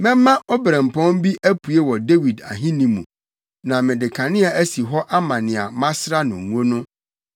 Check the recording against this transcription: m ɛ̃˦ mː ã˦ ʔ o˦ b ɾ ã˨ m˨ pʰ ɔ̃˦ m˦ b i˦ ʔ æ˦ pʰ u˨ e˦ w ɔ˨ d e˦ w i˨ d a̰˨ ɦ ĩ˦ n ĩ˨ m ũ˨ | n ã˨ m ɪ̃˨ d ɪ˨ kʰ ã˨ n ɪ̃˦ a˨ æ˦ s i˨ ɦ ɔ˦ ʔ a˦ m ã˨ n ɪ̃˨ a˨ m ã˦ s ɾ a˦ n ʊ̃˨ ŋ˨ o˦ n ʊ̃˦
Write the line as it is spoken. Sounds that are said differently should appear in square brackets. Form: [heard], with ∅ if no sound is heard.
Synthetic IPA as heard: m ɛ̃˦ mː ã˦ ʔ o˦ b ɾ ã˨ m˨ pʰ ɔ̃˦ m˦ b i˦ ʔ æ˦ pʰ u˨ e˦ w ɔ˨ d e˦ w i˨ d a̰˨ ɦ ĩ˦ n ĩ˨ m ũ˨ | n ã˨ m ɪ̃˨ d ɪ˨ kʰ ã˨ n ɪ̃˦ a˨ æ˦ s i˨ ɦ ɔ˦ ʔ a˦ m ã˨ n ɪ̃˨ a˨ m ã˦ s ɾ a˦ n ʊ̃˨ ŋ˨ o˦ n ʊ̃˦